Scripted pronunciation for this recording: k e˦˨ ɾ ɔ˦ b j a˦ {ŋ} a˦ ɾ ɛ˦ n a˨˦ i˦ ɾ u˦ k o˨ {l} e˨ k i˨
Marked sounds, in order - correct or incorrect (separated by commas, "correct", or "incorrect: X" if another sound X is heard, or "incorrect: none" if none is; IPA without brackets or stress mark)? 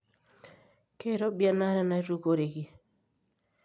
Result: incorrect: n, incorrect: ɾ